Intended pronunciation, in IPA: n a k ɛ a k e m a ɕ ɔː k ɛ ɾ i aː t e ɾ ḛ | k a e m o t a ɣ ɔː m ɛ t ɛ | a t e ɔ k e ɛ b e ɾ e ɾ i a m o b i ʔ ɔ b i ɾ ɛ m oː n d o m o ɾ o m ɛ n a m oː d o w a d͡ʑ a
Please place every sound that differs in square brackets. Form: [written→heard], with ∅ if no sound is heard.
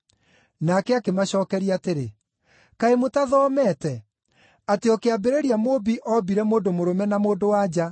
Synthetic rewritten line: n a k ɛ a k e m a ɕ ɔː k ɛ ɾ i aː t e ɾ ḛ | k a e m o t a [ɣ→ð] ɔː m ɛ t ɛ | a t e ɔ k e [ɛ→a] b e ɾ e ɾ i a m o b i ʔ ɔ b i ɾ ɛ m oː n d o m o ɾ o m ɛ n a m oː d o w a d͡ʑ a